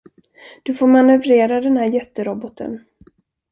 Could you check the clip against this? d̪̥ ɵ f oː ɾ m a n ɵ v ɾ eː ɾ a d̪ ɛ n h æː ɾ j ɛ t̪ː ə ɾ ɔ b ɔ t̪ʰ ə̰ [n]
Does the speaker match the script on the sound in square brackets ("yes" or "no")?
yes